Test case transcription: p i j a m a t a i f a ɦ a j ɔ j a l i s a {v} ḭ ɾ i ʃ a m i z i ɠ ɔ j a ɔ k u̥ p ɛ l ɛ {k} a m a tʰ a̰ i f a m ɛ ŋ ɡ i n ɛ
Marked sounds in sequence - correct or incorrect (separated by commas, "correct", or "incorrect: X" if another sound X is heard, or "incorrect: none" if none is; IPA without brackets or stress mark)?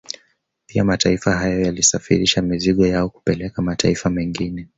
incorrect: f, correct